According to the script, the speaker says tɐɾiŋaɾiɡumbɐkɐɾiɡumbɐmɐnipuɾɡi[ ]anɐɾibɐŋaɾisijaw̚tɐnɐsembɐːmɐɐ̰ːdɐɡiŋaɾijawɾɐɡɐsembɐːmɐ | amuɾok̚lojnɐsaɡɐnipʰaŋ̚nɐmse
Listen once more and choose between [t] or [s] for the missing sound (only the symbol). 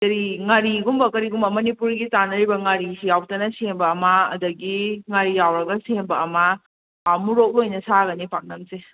t